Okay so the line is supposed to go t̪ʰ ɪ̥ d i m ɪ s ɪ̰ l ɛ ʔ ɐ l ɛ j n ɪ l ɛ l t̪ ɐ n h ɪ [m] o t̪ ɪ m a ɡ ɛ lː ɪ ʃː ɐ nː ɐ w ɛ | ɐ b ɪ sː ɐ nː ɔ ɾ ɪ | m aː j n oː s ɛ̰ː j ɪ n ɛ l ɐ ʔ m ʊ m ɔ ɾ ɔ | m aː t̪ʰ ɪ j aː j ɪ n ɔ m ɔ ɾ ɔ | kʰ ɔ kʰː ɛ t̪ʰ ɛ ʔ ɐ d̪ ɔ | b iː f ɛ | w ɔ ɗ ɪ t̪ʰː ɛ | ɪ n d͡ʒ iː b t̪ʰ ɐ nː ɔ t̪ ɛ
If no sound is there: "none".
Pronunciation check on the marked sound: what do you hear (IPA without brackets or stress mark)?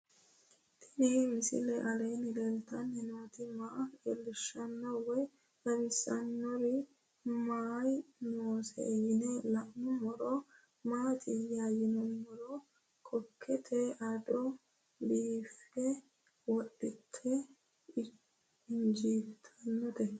n